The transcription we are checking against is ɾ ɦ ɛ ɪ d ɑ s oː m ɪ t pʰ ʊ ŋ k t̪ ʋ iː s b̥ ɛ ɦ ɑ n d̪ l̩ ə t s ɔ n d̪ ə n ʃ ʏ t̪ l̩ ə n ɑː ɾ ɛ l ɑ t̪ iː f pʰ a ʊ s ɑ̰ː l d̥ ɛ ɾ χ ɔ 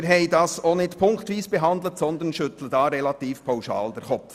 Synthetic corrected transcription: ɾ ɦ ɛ ɪ d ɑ s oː n ɪ t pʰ ʊ ŋ k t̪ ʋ iː s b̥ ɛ ɦ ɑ n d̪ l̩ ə t s ɔ n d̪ ə n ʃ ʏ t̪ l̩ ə d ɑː ɾ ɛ l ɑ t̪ iː f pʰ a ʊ ʃ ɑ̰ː l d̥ ɛ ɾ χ ɔ

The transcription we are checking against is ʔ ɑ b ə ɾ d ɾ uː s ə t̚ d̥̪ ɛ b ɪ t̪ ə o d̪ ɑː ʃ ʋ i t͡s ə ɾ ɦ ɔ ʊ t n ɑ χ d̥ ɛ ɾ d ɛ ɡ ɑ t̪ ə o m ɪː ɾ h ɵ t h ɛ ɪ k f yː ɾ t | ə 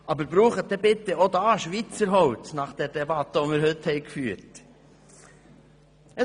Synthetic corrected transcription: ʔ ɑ b ə ɾ b ɾ uː χ ə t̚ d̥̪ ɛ b ɪ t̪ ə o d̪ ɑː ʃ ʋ i t͡s ə ɾ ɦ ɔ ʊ t n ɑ χ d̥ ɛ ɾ d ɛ b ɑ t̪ ə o m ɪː ɾ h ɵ t h ɛ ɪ k f yː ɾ t | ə

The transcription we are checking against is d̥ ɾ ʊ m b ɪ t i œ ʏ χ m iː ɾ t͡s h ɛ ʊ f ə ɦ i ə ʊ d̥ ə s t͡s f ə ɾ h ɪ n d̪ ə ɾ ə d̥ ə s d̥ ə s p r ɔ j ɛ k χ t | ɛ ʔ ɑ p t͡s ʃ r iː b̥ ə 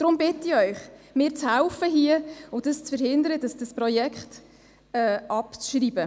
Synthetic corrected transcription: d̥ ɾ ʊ m b ɪ t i œ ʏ χ m ɪː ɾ t͡s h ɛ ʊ f ə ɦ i ə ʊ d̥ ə s t͡s f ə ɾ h ɪ n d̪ ə ɾ ə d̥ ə s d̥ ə s p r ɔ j ɛ k χ t | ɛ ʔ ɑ p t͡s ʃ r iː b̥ ə

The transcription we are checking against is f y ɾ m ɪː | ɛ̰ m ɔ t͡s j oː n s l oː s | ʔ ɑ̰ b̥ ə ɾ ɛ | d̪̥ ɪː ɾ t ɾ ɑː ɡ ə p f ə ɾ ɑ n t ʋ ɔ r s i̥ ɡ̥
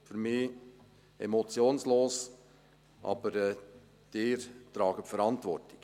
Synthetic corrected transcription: f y ɾ m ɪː | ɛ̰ m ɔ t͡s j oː n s l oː s | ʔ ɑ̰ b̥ ə ɾ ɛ | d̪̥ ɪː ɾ t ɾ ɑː ɡ ə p f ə ɾ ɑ n t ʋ ɔ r t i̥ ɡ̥

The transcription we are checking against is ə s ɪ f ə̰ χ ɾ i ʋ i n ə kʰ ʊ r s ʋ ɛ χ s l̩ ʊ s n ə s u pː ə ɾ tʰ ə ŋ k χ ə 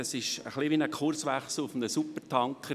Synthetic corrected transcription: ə s ɪ ʃ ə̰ χ l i ʋ i n ə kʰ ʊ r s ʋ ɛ χ s l̩ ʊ f n ə s u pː ə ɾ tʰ ɑ ŋ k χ ə

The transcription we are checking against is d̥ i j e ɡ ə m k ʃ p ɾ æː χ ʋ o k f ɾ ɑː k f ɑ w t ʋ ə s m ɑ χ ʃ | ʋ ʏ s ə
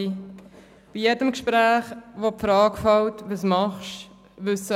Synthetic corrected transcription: b̥ i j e d ə m k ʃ p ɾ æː χ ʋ o p f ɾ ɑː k f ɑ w t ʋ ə s m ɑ χ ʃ | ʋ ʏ s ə

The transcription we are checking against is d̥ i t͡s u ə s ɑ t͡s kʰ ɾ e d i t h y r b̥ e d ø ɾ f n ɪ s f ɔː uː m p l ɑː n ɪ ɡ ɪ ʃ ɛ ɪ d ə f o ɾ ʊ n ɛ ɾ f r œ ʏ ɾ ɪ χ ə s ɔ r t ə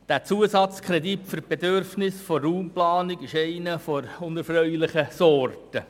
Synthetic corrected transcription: d̥ æ t͡s u ə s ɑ t͡s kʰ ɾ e d i t f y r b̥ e d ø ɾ f n ɪ s f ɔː uː m p l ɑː n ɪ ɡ ɪ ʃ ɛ ɪ n ə f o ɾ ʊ n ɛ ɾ f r œ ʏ l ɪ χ ə s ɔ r t ə

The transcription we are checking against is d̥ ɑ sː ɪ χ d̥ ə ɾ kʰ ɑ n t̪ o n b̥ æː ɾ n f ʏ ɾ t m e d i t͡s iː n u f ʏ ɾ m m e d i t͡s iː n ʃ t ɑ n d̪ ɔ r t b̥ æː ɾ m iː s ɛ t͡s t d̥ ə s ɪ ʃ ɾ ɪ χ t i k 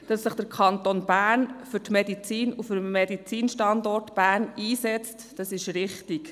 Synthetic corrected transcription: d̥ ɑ sː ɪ χ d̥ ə ɾ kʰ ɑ n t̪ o n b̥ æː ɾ n f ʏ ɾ t m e d i t͡s iː n u f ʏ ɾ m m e d i t͡s iː n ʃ t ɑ n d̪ ɔ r t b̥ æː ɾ n iː s ɛ t͡s t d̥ ɑ s ɪ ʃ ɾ ɪ χ t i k

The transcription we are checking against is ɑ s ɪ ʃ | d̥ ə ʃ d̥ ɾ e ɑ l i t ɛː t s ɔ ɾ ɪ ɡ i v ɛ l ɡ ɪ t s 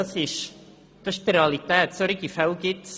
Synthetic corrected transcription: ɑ s ɪ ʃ | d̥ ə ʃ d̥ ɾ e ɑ l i t ɛː t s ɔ ɾ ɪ ɡ i f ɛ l ɡ ɪ t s

